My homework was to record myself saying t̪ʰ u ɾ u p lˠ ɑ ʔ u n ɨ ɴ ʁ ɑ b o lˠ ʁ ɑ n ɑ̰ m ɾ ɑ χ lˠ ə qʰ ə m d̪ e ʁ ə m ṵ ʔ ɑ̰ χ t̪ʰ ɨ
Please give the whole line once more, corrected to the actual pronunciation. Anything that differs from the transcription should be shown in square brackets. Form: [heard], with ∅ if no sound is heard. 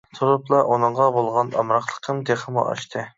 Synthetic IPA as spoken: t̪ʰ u ɾ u p lˠ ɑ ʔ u n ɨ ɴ ʁ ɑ b o lˠ ʁ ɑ n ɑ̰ m ɾ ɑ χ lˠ ə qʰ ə m d̪ e [χ] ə m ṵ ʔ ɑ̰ [ʃ] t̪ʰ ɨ